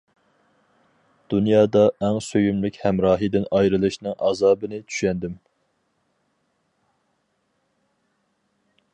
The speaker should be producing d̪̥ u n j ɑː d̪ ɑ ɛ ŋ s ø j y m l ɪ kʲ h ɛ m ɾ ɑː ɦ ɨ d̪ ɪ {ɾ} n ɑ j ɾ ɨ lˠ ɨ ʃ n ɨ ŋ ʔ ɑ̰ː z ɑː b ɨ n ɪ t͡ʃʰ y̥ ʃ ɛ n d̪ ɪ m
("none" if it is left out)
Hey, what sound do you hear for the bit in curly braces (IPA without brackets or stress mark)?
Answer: none